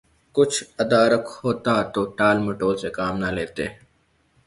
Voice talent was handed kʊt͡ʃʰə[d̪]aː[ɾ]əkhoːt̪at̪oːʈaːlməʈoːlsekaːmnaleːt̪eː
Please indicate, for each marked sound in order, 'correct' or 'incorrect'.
correct, correct

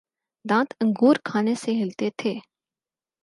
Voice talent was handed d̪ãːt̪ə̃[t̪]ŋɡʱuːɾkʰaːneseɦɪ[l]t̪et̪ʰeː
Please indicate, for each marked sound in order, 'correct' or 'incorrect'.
incorrect, correct

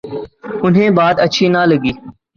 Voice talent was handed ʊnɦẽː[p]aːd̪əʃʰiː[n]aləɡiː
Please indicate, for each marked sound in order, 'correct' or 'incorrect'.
incorrect, correct

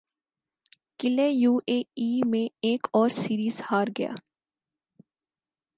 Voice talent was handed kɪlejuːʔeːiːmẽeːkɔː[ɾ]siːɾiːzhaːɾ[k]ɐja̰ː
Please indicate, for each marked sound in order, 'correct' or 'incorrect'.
correct, incorrect

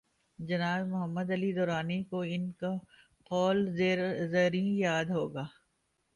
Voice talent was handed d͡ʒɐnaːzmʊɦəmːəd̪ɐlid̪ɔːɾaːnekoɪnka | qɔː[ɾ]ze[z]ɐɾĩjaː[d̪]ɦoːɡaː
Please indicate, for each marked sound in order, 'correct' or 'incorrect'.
incorrect, correct, correct

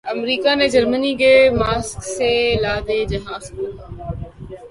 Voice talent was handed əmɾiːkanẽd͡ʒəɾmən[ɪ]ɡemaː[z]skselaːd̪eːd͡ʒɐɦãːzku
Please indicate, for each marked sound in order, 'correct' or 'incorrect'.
incorrect, incorrect

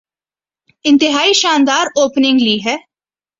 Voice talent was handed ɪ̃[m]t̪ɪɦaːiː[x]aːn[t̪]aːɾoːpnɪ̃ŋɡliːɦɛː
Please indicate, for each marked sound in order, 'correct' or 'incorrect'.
incorrect, incorrect, incorrect

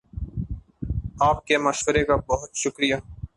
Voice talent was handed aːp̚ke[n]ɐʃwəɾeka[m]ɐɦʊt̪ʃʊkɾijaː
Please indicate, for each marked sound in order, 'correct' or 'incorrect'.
incorrect, incorrect

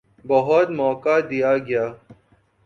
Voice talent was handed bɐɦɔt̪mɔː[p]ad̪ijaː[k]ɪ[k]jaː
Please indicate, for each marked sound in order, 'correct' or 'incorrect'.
incorrect, incorrect, incorrect

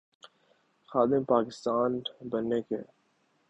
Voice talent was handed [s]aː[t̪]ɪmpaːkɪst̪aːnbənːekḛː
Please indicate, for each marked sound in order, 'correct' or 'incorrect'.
incorrect, incorrect

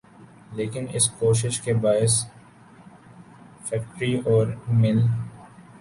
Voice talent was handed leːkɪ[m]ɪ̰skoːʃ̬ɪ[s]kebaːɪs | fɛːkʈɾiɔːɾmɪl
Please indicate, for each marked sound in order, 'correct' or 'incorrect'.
incorrect, incorrect

